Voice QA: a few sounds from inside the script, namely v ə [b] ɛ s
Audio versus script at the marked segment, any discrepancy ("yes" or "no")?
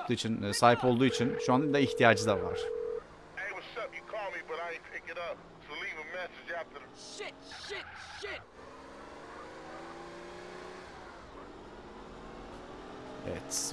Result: yes